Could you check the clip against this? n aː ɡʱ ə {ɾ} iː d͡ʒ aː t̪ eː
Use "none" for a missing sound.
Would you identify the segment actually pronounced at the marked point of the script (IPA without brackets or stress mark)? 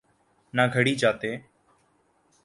ɽ